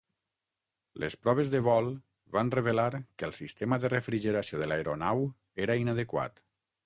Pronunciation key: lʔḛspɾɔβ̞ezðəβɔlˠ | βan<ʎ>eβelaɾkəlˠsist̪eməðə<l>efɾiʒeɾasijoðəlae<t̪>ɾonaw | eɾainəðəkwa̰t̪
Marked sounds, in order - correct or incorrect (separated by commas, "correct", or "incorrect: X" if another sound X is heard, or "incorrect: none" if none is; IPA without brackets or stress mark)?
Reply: incorrect: r, incorrect: r, incorrect: none